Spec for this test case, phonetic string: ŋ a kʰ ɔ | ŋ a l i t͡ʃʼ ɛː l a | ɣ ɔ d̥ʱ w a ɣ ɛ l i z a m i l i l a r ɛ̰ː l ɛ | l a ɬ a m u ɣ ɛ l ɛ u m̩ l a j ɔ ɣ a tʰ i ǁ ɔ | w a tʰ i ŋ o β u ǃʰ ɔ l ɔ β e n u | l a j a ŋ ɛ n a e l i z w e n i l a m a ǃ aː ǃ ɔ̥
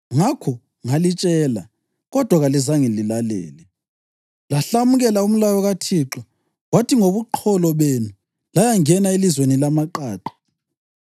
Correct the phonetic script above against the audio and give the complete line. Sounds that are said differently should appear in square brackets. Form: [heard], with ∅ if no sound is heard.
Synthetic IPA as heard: ŋ a kʰ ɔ | ŋ a l i t͡ʃʼ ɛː l a | ɣ ɔ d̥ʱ w a ɣ [a] l i z a [ŋ] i l i l a [l] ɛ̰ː l ɛ | l a ɬ a m u ɣ ɛ l [a] u m̩ l a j ɔ ɣ a tʰ i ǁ ɔ | w a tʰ i ŋ o β u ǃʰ ɔ l ɔ β e n u | l a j a ŋ ɛ n a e l i z w e n i l a m a ǃ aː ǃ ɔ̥